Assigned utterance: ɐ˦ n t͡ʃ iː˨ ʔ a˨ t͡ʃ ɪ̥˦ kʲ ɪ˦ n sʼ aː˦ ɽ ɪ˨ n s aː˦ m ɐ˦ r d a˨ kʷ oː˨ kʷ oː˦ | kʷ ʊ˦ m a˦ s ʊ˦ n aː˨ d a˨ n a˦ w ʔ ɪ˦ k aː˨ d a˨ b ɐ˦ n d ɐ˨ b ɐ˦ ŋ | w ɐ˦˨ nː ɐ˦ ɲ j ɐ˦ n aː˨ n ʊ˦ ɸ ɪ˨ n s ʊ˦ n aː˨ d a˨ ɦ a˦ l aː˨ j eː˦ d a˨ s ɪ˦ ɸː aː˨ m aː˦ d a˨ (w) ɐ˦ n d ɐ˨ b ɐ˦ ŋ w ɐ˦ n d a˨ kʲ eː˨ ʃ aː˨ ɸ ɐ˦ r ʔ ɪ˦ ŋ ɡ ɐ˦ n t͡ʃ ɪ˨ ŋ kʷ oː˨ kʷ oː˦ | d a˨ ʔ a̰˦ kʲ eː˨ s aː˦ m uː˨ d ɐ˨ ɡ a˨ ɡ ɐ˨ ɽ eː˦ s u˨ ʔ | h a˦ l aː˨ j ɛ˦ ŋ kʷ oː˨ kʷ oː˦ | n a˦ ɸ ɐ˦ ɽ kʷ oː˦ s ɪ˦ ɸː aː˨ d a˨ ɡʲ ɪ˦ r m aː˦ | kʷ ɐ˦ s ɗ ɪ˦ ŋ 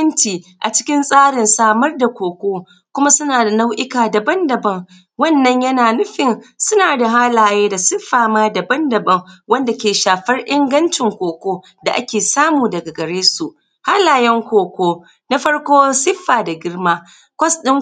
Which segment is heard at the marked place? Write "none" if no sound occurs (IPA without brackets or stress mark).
b